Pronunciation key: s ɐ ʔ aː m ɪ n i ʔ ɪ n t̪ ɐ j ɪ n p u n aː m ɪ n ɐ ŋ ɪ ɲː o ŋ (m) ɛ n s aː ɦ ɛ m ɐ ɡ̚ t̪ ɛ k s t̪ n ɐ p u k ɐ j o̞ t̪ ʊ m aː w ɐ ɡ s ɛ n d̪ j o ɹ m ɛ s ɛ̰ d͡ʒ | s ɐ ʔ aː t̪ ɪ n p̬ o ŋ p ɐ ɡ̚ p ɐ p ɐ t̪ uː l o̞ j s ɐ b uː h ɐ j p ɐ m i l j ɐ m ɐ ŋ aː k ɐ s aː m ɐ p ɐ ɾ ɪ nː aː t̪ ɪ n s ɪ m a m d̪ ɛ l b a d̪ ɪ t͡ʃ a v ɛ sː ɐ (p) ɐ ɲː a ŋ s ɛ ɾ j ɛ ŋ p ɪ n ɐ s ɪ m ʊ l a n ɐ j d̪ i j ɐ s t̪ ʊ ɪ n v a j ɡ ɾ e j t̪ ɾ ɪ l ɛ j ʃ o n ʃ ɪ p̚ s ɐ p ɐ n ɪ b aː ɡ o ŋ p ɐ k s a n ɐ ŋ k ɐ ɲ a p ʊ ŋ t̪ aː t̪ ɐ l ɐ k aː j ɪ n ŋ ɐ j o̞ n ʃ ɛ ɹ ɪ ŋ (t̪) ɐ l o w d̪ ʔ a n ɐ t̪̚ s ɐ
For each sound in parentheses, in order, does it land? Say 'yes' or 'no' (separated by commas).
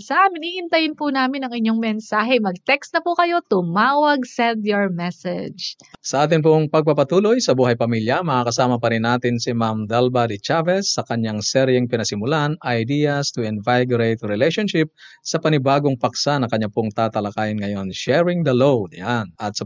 yes, no, no